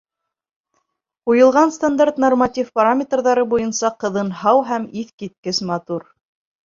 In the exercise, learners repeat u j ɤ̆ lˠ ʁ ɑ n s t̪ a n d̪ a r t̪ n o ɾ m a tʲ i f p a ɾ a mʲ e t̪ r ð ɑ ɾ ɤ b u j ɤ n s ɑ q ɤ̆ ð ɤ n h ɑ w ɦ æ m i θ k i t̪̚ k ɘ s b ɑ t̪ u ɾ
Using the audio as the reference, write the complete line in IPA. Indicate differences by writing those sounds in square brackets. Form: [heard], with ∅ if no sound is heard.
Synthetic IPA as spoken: u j ɤ̆ lˠ ʁ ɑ n s t̪ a n d̪ a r t̪ n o [r] m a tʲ i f p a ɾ a mʲ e t̪ r ð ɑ ɾ ɤ b u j ɤ n s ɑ q ɤ̆ ð ɤ n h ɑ w ɦ æ m i θ k i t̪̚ k ɘ s [m] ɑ t̪ u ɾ